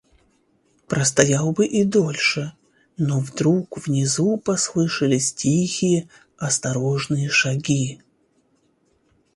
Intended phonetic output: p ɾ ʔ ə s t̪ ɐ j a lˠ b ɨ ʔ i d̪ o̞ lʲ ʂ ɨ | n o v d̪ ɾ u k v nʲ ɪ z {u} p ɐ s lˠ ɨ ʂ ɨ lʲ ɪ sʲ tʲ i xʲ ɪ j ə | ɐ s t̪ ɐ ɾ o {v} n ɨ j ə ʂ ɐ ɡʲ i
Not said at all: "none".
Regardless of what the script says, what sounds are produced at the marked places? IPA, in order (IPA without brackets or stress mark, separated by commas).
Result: u, ʐ